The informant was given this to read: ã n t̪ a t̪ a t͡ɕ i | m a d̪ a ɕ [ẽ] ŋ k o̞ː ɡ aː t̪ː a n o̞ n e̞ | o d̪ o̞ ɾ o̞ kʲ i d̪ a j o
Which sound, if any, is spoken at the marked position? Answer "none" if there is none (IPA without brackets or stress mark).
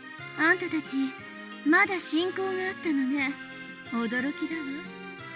ĩ